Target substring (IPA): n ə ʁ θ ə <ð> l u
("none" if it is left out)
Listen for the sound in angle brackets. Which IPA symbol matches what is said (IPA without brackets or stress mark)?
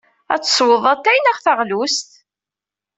ʁ